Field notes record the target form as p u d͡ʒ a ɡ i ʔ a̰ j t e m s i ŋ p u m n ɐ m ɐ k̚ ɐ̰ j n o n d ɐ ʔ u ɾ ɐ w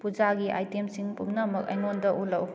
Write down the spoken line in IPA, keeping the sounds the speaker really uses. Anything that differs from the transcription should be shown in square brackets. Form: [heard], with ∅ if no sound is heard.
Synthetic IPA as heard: p u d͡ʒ a ɡ i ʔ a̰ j t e m s i ŋ p u m n ɐ m ɐ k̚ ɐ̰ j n o n d ɐ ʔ u [l] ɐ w